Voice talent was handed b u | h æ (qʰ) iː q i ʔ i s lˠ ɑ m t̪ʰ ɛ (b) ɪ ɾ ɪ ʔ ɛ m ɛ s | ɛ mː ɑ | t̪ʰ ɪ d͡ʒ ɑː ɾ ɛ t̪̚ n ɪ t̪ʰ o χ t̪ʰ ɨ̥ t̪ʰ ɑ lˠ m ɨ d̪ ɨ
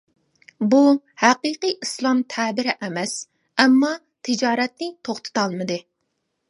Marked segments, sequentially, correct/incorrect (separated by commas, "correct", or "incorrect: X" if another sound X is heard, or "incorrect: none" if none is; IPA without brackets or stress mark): incorrect: q, correct